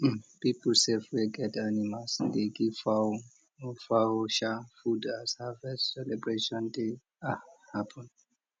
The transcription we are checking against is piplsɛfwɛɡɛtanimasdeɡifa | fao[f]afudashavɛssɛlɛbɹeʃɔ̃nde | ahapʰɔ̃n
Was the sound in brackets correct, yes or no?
no